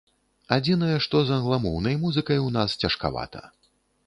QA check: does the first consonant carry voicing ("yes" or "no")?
yes